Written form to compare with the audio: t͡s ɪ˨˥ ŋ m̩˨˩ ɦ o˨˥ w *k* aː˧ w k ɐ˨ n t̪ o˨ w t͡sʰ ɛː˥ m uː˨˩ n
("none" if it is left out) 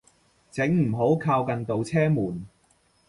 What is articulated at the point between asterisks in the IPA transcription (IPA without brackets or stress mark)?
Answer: kʰ